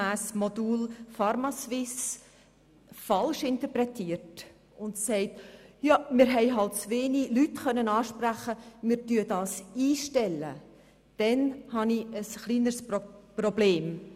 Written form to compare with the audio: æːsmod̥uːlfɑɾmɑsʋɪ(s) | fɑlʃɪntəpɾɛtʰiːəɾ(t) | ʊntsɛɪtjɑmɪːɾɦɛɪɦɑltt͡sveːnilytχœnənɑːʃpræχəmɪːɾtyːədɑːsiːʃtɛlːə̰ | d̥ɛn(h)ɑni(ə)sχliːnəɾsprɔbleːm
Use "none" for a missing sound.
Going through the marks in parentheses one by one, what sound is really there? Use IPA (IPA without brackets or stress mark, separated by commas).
s, t, h, ə